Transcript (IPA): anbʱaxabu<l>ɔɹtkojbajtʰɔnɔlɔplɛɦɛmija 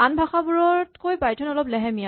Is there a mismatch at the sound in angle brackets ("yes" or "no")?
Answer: yes